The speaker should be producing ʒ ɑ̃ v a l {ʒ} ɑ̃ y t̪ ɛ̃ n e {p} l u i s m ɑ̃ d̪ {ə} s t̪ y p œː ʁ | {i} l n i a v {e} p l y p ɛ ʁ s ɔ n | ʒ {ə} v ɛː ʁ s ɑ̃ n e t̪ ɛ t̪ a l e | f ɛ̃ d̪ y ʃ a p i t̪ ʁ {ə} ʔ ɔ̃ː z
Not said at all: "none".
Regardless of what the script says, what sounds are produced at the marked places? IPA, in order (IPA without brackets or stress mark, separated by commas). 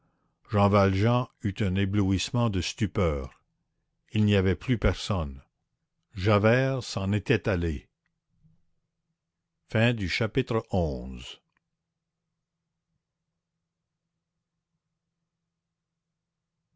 ʒ, b, ə, i, ɛ, a, ə